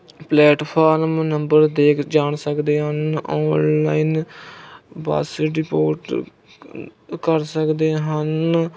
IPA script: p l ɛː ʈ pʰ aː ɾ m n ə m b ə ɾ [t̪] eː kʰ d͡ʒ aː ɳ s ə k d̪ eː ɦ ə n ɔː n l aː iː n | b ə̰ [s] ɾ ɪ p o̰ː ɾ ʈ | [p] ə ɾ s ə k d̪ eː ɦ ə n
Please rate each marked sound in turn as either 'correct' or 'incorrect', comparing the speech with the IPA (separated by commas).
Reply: incorrect, correct, incorrect